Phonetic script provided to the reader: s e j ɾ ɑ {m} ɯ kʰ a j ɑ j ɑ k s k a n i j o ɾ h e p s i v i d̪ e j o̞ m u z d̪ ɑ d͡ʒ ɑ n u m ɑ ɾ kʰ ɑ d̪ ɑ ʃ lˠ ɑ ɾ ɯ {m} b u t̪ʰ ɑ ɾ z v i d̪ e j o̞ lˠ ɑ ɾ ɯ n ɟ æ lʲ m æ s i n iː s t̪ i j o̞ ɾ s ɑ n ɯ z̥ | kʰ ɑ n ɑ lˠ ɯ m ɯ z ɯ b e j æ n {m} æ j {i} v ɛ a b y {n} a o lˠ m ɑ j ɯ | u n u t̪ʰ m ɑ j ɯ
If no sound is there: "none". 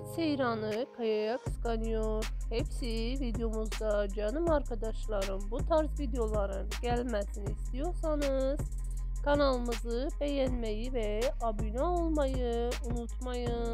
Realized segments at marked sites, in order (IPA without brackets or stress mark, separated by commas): n, n, m, i, n